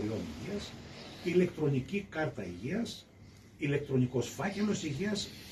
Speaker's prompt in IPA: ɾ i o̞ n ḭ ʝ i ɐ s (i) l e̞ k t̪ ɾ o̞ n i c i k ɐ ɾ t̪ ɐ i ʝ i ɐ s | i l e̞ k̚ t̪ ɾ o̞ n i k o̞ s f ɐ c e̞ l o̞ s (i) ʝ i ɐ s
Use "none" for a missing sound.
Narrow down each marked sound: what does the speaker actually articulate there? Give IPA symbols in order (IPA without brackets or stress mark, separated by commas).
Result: i, i